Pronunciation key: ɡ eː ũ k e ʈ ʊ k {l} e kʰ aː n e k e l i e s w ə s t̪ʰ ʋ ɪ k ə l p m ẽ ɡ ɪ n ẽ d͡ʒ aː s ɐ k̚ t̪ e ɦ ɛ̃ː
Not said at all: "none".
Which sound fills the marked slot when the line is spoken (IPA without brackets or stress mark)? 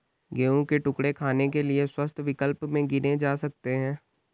ɽ